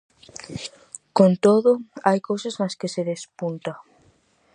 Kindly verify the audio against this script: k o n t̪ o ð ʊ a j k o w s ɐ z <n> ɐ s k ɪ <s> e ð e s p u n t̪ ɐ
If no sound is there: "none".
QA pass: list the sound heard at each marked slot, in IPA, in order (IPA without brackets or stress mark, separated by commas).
n, s